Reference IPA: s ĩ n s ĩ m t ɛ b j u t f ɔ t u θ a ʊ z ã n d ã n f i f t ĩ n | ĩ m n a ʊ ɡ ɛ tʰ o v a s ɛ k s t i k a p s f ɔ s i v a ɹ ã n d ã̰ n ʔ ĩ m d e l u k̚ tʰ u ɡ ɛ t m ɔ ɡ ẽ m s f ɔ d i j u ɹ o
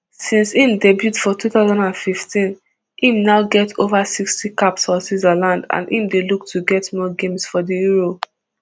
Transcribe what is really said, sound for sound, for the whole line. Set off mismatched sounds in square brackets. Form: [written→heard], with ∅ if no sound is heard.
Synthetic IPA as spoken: s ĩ n s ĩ m [t→d] ɛ b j u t f ɔ t u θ a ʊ z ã n d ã n f i f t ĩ n | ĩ m n a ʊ ɡ ɛ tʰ o v a s [ɛ→i] k s t i k a p s f ɔ s i [v→z] a [ɹ→l] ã n d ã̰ n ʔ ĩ m d e l u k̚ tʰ u ɡ ɛ t m ɔ ɡ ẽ m s f ɔ d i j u ɹ o